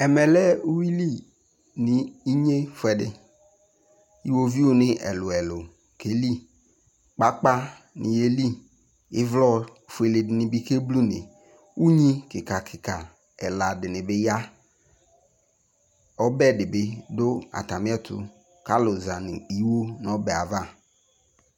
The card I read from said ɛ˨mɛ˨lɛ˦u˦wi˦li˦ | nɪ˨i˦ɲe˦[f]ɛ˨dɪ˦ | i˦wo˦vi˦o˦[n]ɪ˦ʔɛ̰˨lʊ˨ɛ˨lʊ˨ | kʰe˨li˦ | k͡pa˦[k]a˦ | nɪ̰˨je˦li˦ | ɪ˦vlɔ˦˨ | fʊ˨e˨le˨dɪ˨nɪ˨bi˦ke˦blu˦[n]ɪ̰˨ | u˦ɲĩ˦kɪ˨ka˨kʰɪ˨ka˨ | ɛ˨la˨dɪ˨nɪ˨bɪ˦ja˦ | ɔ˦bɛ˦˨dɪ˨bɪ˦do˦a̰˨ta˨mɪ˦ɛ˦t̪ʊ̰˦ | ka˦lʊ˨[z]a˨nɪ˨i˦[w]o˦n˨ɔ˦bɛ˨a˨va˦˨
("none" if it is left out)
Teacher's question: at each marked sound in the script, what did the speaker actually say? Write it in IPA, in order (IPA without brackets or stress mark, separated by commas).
f, n, k͡p, n, z, w